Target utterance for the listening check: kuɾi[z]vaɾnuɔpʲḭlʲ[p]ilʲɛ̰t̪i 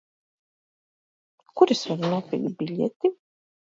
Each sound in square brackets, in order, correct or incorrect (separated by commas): incorrect, incorrect